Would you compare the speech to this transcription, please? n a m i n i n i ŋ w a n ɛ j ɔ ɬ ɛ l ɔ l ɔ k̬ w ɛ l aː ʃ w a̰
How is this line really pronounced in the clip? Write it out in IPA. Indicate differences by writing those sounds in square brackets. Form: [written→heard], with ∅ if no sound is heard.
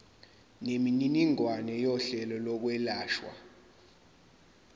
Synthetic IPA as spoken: n [a→e] m i n i n i ŋ w a n ɛ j ɔ ɬ ɛ l ɔ l ɔ k̬ w ɛ l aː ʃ w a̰